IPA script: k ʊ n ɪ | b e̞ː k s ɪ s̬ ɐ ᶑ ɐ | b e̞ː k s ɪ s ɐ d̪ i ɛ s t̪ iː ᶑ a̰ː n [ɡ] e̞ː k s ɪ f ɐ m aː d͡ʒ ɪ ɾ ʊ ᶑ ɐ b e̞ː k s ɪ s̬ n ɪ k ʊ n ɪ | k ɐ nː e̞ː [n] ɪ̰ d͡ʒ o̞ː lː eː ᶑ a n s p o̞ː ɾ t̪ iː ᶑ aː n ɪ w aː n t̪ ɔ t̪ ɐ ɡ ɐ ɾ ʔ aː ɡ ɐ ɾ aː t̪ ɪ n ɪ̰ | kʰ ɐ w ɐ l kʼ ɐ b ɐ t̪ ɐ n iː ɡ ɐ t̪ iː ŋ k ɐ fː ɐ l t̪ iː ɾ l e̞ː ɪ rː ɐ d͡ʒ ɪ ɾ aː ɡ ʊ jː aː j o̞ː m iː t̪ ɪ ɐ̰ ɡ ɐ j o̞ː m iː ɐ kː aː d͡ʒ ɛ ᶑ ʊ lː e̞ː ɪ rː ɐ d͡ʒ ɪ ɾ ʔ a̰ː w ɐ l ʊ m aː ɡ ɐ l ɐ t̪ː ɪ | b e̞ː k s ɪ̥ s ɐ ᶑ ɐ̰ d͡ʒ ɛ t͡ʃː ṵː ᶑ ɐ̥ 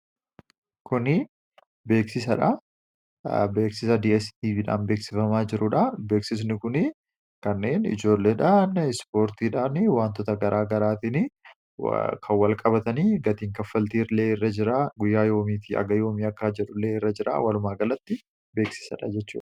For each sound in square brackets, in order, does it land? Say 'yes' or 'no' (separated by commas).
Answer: no, yes